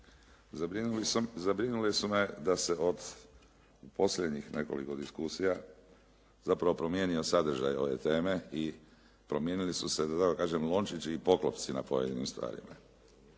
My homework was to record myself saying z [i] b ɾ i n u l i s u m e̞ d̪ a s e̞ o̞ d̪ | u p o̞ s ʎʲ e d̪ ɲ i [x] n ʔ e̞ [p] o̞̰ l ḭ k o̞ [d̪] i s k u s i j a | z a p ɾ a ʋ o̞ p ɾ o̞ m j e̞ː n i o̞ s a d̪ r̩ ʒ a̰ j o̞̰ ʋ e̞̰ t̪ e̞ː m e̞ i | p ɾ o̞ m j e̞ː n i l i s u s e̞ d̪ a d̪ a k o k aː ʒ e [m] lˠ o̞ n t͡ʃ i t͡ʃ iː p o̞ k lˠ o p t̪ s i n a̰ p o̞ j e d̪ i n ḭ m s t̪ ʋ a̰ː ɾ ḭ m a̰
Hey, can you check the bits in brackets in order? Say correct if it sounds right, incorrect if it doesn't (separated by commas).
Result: incorrect, correct, incorrect, correct, correct